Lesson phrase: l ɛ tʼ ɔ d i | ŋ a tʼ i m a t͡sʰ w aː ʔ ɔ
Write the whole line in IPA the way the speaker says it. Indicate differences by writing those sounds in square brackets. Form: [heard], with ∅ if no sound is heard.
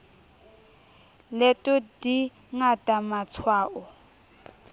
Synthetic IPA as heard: l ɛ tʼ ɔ d i | ŋ a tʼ [a] m a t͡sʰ w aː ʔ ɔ

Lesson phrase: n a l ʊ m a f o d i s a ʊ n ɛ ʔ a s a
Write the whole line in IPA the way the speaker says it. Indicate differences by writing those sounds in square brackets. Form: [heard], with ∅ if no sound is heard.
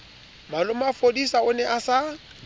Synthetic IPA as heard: [m] a l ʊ m a f o d i s a ʊ n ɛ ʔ a s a

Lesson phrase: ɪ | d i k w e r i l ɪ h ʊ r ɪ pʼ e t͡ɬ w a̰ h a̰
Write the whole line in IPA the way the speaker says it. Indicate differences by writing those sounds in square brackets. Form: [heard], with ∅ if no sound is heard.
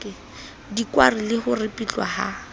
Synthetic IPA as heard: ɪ | d i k w [a] r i l ɪ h ʊ r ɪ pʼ [i] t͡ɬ w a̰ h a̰

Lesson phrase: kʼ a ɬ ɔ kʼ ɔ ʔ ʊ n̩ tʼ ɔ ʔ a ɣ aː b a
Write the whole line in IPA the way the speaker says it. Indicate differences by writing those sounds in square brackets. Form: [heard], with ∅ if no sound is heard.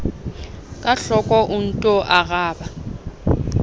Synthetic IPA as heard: kʼ a ɬ ɔ kʼ ɔ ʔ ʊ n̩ tʼ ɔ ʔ a ɣ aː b a

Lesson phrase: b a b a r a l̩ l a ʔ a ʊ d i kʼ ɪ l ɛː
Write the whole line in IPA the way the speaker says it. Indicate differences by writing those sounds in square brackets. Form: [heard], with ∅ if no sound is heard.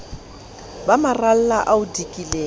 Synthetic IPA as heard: b a [m] a r a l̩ l a ʔ a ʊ d i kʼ [i] l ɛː

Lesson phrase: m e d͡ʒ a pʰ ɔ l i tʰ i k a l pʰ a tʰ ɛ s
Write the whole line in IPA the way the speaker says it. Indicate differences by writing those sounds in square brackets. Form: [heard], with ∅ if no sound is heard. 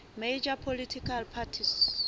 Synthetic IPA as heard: m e d͡ʒ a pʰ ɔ l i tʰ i k a l pʰ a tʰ [i] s

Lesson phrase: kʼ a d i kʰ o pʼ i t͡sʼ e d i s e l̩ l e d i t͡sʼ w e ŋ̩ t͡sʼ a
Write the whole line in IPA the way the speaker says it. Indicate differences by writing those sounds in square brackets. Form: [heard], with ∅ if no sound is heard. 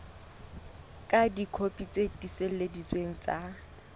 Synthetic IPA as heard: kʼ a d i kʰ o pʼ i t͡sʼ e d i s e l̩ l e d i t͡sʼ w e ŋ̩ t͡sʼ a

